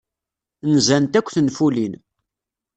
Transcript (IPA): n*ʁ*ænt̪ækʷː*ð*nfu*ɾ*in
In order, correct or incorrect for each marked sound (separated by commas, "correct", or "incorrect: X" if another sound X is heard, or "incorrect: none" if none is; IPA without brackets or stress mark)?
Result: incorrect: z, incorrect: θ, incorrect: l